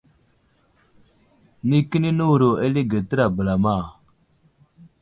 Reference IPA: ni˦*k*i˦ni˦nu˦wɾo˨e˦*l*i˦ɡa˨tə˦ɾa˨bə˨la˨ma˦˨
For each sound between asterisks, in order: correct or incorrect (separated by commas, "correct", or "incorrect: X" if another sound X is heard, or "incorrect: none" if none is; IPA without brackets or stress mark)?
correct, correct